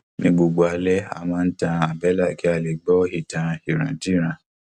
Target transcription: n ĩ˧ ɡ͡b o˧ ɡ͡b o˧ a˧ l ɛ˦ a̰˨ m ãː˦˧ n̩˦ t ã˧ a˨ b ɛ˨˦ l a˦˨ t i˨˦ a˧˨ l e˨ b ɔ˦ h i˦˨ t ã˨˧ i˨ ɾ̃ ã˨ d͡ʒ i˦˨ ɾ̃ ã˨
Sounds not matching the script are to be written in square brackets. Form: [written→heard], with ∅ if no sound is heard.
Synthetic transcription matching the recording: n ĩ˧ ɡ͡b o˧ ɡ͡b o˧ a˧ l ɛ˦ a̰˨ m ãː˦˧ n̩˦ t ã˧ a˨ b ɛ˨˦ l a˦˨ [t→k] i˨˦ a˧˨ l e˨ [b→ɡ͡b] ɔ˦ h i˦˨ t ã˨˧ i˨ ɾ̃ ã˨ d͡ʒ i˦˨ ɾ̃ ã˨